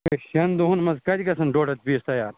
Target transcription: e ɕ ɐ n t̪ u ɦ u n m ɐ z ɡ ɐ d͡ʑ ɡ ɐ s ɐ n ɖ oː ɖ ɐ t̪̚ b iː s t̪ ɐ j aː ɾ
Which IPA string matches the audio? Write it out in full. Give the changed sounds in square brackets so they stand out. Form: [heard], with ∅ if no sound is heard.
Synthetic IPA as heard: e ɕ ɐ n [d̪] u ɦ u n m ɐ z [k] ɐ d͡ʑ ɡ ɐ s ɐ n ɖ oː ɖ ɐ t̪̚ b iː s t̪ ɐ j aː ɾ